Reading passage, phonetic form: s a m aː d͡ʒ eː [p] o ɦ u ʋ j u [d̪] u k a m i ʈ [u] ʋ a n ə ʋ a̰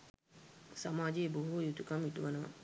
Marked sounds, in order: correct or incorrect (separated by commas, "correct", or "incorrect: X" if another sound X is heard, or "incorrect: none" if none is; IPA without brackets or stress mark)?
incorrect: b, incorrect: t̪, correct